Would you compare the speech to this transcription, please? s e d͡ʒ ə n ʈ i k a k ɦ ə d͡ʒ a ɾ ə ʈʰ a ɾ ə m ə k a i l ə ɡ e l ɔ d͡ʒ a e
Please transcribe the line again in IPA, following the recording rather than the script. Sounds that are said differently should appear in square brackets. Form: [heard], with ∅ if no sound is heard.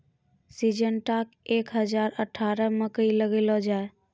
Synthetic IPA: s [i] d͡ʒ ə n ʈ [a] k [e] k ɦ ə d͡ʒ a ɾ ə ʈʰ a ɾ ə m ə k [ə] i l ə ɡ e l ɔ d͡ʒ a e